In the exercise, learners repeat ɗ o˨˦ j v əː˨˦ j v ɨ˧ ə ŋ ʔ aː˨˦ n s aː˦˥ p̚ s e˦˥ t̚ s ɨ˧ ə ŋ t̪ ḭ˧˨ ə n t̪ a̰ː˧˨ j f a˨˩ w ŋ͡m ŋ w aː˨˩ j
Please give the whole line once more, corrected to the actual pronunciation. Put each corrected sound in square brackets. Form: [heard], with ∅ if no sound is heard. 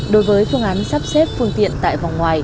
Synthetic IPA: ɗ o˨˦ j v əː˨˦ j [f] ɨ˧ ə ŋ ʔ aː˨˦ n s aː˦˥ p̚ s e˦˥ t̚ [f] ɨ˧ ə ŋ t̪ ḭ˧˨ ə n t̪ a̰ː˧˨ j [v] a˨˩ w ŋ͡m ŋ w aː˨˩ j